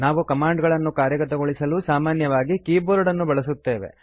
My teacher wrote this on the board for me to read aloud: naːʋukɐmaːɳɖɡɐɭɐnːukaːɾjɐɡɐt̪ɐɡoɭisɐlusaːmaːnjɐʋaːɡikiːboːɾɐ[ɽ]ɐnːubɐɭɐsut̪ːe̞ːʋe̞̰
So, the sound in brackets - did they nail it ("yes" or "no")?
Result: yes